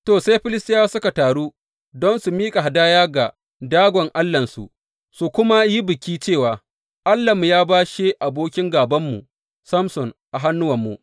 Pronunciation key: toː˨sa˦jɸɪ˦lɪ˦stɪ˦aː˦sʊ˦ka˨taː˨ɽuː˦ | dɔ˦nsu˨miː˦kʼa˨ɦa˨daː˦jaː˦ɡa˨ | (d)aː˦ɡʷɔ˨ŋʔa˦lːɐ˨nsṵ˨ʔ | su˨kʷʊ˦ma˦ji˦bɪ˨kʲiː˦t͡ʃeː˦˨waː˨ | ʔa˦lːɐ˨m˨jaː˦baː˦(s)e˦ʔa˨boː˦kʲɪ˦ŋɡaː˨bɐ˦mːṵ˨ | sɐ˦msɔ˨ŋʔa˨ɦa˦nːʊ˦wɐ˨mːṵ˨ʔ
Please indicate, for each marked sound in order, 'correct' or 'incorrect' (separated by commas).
correct, incorrect